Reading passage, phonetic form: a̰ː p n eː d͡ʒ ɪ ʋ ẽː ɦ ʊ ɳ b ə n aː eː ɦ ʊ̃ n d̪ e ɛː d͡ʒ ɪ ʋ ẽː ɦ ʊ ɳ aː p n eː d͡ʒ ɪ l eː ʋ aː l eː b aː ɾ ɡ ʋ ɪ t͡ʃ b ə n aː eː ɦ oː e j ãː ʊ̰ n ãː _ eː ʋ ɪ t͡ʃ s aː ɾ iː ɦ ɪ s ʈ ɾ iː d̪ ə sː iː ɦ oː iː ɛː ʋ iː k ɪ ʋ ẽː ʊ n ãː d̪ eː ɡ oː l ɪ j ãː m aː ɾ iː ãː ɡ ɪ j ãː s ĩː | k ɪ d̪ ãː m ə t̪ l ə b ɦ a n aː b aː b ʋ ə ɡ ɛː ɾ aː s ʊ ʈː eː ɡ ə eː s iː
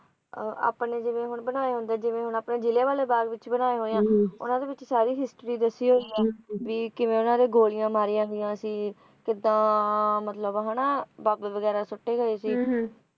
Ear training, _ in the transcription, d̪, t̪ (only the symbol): d̪